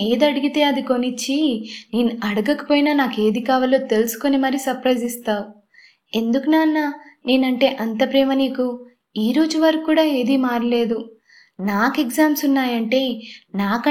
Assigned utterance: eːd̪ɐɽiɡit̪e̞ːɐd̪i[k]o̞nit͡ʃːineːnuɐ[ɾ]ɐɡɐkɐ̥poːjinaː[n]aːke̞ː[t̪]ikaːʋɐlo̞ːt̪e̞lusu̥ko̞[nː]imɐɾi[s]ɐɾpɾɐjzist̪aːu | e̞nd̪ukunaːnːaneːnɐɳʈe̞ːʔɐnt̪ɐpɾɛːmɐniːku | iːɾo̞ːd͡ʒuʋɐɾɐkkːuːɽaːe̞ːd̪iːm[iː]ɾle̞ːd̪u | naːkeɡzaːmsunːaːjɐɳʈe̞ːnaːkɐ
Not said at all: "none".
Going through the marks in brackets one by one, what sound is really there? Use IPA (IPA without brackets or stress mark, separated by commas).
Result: k, ɽ, n, d̪, n, s, aː